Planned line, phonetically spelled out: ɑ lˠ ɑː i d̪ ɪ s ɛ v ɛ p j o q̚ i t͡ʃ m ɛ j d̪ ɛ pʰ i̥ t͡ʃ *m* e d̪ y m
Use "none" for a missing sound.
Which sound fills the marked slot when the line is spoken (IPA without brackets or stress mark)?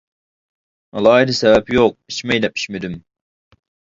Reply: m